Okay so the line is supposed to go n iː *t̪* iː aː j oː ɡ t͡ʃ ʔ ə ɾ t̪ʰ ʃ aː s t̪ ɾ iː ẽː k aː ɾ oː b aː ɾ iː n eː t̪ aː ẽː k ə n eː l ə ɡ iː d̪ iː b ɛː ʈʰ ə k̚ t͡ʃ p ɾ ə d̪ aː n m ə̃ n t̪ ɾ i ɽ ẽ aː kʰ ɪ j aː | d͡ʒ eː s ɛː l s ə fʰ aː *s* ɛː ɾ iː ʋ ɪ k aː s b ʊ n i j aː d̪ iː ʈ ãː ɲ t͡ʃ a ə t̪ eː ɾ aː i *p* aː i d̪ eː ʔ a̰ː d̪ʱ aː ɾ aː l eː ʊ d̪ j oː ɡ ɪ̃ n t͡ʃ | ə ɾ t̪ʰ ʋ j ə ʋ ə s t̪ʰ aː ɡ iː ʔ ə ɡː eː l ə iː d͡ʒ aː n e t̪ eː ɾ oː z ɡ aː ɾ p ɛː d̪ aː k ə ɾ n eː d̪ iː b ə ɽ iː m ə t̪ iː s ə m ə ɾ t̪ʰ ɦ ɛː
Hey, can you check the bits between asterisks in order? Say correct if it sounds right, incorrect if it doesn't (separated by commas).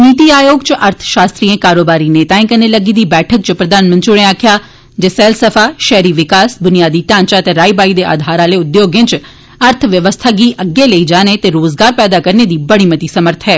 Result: correct, incorrect, incorrect